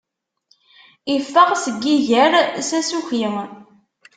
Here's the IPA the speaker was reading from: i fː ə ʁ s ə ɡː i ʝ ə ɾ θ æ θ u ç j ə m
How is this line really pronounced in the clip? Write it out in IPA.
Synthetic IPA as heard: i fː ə ʁ s ə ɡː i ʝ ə ɾ s æ s u ç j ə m